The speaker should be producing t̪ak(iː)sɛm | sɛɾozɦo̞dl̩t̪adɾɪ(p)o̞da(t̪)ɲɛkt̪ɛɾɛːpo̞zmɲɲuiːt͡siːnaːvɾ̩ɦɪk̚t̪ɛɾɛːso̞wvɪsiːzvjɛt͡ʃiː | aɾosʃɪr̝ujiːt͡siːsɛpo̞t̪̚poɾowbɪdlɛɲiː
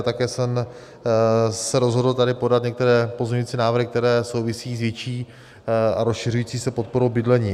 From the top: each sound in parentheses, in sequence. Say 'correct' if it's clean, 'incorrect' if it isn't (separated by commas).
incorrect, correct, correct